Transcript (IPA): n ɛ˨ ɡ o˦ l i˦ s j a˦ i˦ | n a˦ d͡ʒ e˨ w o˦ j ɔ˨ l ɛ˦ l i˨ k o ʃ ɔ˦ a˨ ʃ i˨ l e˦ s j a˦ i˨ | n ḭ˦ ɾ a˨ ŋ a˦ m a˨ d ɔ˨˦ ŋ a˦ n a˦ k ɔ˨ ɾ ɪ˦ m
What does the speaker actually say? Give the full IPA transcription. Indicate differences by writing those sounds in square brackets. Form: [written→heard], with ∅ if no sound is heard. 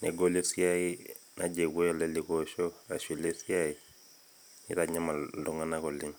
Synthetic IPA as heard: n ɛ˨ ɡ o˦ l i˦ s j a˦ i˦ | n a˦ d͡ʒ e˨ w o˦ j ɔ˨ l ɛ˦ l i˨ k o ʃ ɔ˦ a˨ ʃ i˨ l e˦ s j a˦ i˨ | n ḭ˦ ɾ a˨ [ŋ→ɲ] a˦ m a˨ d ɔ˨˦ ŋ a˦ n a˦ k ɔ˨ [ɾ→l] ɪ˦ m